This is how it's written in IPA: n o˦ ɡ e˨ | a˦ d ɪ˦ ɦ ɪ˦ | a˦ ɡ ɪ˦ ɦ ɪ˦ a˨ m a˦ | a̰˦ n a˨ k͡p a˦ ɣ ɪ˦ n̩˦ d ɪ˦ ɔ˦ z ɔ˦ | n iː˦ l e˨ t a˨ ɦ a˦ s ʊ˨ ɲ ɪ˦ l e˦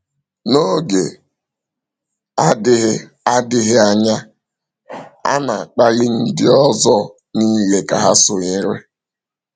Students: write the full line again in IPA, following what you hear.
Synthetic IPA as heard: n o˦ ɡ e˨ | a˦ d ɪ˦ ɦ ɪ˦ | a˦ d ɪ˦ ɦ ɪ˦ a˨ ɲ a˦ | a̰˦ n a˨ k͡p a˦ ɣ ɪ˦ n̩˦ d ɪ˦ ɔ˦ z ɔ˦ | n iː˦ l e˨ k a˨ ɦ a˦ s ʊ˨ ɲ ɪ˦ ɾ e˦